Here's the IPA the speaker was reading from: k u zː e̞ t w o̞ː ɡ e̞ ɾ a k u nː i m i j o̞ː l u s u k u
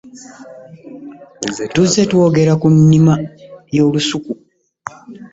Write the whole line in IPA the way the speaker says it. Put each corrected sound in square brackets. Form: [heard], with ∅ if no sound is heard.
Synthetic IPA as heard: [t] u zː e̞ t w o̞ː ɡ e̞ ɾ a k u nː i m [a] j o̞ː l u s u k u